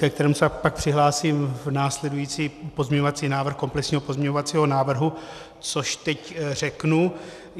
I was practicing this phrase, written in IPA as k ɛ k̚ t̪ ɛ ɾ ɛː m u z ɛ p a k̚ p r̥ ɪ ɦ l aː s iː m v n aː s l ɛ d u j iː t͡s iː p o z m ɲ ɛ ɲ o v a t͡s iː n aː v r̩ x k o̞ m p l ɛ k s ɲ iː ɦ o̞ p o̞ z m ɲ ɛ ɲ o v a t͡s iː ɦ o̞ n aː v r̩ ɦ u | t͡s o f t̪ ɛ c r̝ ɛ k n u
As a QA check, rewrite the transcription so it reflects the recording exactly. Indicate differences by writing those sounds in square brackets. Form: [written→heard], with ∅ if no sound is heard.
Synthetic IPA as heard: k ɛ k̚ t̪ ɛ ɾ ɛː m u [z→s] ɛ p a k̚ p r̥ ɪ ɦ l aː s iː m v n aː s l ɛ d u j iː t͡s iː p o z m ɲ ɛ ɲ o v a t͡s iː n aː v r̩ x k o̞ m p l ɛ k s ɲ iː ɦ o̞ p o̞ z m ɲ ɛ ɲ o v a t͡s iː ɦ o̞ n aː v r̩ ɦ u | t͡s o [f→ʃ] t̪ ɛ c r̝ ɛ k n u